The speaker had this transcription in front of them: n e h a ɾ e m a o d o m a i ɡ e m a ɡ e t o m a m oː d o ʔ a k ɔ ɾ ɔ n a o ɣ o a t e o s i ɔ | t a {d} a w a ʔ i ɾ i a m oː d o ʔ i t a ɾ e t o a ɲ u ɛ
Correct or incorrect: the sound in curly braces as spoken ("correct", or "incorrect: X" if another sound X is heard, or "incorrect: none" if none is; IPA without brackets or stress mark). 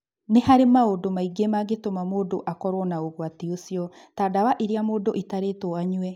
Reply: correct